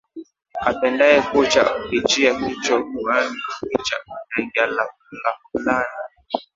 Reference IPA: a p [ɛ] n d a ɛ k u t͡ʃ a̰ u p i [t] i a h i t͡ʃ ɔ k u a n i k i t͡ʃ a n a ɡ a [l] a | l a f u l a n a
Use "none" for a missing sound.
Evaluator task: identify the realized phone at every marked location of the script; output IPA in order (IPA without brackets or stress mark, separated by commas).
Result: ɛ, t͡ʃ, l